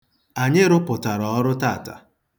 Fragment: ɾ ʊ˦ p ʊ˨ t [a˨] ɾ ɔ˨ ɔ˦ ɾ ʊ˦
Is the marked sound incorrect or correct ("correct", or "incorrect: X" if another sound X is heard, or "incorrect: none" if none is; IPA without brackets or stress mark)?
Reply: correct